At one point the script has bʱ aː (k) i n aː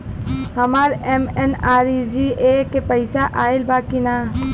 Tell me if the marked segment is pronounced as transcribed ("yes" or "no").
yes